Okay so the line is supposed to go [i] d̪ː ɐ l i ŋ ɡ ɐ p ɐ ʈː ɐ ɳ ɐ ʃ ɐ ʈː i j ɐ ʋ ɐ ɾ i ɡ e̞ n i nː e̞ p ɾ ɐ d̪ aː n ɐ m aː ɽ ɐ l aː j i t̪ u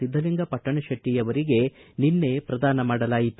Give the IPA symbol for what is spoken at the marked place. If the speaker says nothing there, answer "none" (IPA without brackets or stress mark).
i